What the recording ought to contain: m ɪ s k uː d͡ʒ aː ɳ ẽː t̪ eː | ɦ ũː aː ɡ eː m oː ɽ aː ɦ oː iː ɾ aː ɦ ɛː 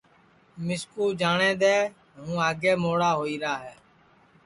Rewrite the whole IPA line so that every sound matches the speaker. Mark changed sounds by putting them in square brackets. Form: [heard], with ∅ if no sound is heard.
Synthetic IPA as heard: m ɪ s k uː d͡ʒ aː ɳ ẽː [d̪] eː | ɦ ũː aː ɡ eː m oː ɽ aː ɦ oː iː ɾ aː ɦ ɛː